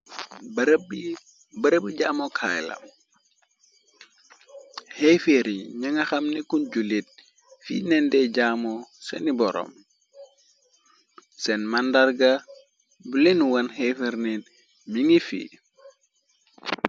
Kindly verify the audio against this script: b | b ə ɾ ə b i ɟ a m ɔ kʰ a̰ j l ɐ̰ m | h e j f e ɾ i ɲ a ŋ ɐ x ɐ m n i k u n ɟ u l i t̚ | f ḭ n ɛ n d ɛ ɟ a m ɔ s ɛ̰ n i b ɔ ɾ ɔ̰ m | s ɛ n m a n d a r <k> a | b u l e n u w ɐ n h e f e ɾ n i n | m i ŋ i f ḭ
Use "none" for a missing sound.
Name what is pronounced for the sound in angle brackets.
ɡ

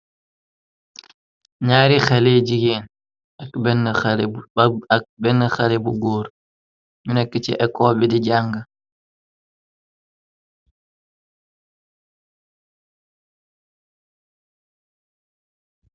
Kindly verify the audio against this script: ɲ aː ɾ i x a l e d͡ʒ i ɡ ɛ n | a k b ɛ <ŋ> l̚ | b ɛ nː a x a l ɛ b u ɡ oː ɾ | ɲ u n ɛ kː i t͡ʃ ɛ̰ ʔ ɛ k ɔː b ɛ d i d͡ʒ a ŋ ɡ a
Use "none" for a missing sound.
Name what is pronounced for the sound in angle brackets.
n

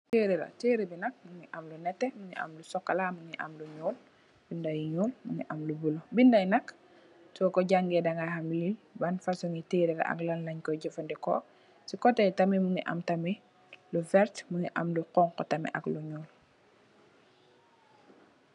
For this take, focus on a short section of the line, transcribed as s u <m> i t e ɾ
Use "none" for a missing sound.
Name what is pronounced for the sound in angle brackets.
ŋ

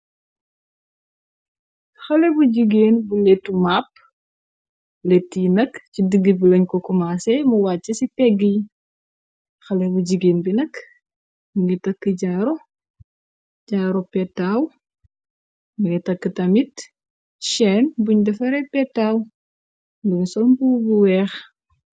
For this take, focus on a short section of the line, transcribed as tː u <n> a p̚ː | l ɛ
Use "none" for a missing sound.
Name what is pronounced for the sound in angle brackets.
m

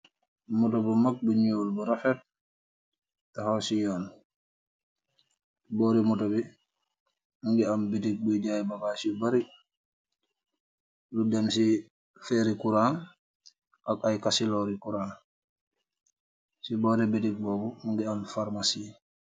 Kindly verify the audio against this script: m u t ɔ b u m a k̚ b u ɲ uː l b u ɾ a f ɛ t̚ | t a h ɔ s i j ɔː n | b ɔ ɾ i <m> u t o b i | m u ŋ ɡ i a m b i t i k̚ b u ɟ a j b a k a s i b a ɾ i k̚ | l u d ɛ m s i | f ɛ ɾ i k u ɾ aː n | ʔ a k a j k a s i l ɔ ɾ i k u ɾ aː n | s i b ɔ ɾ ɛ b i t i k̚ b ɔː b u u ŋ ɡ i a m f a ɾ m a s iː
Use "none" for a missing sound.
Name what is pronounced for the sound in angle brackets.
m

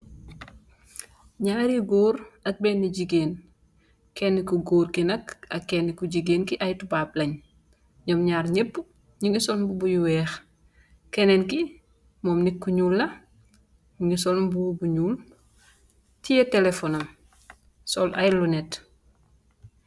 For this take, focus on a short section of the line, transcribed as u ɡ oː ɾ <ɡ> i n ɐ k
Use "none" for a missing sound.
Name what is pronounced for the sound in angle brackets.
k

